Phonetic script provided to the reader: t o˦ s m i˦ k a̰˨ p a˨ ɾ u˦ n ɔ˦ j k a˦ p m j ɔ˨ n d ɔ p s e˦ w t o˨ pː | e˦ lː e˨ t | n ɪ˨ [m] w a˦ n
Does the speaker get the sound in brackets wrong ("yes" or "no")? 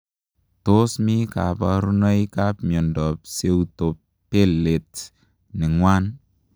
yes